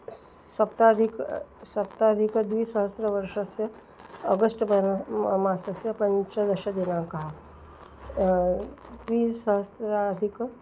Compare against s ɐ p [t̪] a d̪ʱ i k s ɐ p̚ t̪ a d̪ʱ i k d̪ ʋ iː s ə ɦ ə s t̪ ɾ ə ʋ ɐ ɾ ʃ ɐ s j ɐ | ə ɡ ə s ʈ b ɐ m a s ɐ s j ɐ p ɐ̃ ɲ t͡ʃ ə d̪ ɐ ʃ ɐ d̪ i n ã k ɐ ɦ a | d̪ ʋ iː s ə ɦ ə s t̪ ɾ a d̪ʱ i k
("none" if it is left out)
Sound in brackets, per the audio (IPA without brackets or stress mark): t̪